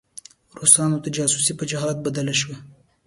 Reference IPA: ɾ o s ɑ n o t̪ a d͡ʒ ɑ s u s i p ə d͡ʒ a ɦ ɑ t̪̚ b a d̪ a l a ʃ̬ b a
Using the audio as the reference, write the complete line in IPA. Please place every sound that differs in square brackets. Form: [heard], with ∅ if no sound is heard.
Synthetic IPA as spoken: ɾ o s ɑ n o t̪ a d͡ʒ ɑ s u s i p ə d͡ʒ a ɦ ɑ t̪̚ b a d̪ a l a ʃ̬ [w] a